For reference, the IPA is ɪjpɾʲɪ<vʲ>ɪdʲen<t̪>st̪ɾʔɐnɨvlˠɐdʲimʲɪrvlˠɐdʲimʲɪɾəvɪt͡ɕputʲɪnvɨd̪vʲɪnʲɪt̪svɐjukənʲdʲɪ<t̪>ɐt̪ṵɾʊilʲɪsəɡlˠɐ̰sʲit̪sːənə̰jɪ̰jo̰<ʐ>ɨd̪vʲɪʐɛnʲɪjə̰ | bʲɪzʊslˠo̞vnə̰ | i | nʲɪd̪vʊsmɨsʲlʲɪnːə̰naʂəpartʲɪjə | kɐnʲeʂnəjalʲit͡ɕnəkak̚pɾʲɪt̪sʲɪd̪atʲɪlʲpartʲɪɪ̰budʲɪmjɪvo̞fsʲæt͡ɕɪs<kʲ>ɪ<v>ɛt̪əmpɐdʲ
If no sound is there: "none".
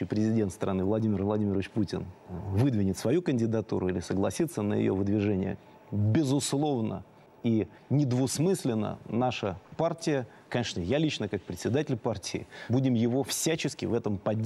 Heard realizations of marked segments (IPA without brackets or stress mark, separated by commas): zʲ, t̪, d̪, v, kʲ, v